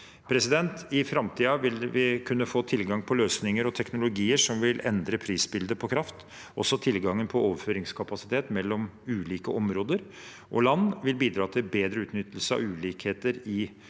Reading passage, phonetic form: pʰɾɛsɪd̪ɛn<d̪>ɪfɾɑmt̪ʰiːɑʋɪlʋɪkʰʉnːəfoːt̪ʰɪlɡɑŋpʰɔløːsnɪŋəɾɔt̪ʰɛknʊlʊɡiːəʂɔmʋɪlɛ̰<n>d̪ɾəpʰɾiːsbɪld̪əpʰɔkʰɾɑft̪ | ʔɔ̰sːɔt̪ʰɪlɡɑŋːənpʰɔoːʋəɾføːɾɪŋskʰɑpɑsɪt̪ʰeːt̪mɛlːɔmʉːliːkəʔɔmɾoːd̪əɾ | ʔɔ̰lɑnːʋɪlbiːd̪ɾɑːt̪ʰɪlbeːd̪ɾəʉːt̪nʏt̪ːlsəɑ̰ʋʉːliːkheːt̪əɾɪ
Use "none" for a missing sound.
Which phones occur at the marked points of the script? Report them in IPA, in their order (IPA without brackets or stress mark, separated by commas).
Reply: t̪, n